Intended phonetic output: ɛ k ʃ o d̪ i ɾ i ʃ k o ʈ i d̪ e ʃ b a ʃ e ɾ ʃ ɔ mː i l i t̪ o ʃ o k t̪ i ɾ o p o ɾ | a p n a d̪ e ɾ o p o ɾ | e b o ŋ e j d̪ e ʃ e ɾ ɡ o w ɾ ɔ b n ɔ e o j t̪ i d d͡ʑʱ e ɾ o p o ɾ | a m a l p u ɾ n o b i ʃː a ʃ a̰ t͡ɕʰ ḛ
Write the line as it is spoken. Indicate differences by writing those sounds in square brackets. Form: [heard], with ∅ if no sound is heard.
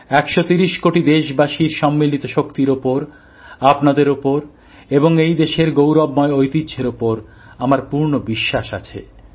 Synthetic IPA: ɛ k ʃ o [t̪] i ɾ i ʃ k o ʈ i d̪ e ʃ b a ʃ [i] ɾ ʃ ɔ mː i l i t̪ o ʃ o k t̪ i ɾ o p o ɾ | a p n a d̪ e ɾ o p o ɾ | e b o ŋ e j d̪ e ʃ e ɾ ɡ o w ɾ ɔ b [m] ɔ e o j t̪ i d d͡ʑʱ e ɾ o p o ɾ | a m a [ɾ] p u ɾ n o b i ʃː a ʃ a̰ t͡ɕʰ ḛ